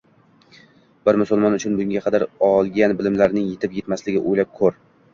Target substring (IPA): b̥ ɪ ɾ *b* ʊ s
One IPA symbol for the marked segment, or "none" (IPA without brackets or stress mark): m